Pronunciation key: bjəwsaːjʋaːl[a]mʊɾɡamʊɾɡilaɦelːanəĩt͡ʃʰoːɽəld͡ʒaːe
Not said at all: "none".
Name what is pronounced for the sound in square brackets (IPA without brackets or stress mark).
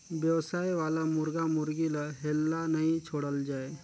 a